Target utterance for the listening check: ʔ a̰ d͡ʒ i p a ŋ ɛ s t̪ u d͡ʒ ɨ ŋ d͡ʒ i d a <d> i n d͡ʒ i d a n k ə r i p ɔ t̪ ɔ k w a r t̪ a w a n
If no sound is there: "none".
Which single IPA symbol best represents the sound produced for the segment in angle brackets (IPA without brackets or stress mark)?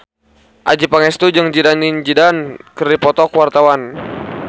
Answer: n